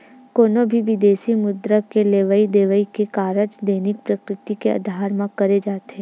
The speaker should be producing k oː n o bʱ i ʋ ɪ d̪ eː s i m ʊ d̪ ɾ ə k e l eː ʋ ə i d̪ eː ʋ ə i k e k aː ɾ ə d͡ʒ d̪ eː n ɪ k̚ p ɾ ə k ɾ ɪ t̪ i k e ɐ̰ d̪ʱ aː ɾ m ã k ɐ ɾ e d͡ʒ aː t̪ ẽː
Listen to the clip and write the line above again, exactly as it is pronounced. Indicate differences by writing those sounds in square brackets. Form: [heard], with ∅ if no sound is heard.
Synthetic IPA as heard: k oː n o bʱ i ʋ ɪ d̪ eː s i m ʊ d̪ ɾ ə k e l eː ʋ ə i d̪ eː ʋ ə i k e k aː ɾ ə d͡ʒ d̪ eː n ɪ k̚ p ɾ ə k ɾ ɪ t̪ i k e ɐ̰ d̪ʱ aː ɾ m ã k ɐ ɾ e d͡ʒ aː t̪ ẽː